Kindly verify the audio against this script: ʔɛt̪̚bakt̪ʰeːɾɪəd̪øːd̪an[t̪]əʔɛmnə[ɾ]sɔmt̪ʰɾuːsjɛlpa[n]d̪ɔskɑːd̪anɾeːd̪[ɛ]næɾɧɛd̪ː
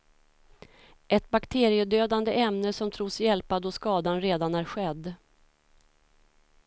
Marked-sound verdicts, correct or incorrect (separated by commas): incorrect, incorrect, incorrect, incorrect